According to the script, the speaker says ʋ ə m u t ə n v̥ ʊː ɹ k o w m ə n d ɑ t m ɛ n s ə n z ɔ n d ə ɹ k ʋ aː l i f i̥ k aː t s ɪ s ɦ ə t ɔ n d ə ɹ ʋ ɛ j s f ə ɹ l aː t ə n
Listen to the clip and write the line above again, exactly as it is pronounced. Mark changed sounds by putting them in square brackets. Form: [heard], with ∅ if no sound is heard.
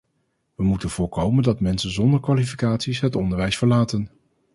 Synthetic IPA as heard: ʋ ə m u t ə n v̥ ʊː ɹ k o w m ə n d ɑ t m ɛ n s ə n z ɔ n d ə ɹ k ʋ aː l i f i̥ k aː t s [i] s ɦ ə t ɔ n d ə ɹ ʋ ɛ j s f ə ɹ l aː t ə n